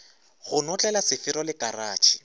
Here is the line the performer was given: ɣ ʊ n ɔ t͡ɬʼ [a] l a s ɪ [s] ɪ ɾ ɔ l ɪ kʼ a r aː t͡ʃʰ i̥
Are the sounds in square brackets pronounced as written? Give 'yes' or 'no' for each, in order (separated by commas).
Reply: no, no